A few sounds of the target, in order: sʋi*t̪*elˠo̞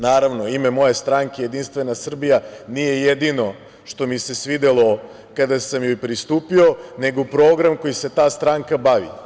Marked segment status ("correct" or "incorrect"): incorrect